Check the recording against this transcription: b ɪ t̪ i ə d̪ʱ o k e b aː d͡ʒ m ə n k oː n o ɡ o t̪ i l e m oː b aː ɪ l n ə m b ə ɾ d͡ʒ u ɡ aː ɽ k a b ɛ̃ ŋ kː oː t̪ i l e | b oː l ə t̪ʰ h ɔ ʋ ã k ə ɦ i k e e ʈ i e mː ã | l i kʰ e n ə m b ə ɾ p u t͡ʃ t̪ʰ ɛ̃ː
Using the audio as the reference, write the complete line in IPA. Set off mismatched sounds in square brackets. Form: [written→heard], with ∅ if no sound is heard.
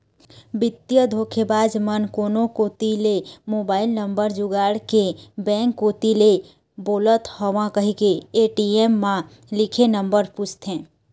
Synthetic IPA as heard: b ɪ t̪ [i→j] ə d̪ʱ o [k→kʰ] e b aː d͡ʒ m ə n k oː n o [ɡ→k] o t̪ i l e m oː b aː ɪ l n ə m b ə ɾ d͡ʒ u ɡ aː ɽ k [a→e] b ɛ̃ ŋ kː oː t̪ i l e | b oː l ə [t̪ʰ→t̪] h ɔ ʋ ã k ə ɦ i k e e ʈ i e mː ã | l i kʰ e n ə m b ə ɾ p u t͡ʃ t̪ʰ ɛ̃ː